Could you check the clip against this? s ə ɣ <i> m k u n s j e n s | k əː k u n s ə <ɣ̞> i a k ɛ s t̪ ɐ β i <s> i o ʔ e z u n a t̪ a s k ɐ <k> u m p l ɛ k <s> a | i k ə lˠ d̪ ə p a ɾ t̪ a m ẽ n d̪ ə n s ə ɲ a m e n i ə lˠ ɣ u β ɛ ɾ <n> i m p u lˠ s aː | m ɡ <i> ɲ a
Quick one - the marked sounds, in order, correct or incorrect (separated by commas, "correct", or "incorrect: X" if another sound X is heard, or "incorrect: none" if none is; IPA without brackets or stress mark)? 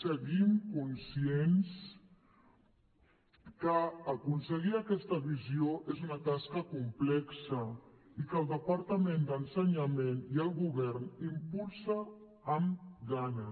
correct, correct, incorrect: z, correct, correct, correct, incorrect: a